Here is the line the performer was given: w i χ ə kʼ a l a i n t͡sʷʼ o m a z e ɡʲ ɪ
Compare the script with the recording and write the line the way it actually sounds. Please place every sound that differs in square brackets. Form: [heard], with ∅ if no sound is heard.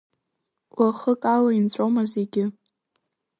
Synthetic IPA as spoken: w [a] χ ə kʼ a l a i n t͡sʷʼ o m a z e ɡʲ ɪ